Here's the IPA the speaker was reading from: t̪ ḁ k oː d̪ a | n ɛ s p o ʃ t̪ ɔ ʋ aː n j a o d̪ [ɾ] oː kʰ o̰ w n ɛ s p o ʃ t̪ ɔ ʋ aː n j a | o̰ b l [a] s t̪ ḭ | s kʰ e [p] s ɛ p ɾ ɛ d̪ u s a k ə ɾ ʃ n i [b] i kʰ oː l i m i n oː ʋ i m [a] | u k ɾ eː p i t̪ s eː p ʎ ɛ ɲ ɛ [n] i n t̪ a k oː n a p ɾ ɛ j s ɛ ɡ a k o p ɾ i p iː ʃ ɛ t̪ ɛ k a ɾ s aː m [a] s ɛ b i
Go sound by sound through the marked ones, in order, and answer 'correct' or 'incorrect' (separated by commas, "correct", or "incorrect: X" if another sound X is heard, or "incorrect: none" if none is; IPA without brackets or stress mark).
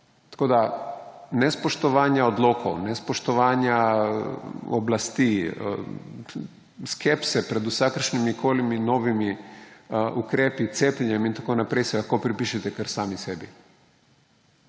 incorrect: l, correct, correct, incorrect: m, incorrect: i, incorrect: m, incorrect: i